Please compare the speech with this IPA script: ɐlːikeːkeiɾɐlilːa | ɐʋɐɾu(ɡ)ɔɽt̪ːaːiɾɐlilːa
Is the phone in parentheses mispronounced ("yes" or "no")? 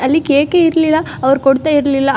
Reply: yes